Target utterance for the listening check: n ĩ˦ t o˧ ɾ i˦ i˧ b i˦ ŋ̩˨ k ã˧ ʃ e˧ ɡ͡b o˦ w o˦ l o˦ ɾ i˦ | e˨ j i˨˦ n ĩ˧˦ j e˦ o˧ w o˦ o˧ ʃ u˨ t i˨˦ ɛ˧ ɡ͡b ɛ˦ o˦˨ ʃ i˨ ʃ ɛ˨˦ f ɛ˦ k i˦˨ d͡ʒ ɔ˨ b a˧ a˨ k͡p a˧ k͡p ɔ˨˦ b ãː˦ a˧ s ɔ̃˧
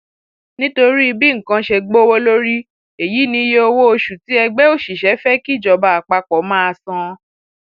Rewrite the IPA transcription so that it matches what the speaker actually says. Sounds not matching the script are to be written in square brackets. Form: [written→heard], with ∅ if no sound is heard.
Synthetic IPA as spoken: n ĩ˦ t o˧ ɾ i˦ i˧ b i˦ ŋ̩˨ k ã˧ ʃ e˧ ɡ͡b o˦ w o˦ l o˦ ɾ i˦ | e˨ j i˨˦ n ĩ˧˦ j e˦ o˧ w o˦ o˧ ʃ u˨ t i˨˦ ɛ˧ ɡ͡b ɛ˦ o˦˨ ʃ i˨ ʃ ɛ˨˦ f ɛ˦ k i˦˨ d͡ʒ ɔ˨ b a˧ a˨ k͡p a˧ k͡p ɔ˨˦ [b→m] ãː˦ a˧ s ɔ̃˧